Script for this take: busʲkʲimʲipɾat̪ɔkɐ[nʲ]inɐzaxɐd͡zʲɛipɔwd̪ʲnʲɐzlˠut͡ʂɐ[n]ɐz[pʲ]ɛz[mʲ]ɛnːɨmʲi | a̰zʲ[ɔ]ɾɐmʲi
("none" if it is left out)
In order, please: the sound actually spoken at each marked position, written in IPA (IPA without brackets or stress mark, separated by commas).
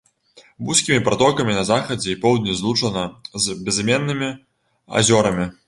mʲ, n, bʲ, mʲ, ɔ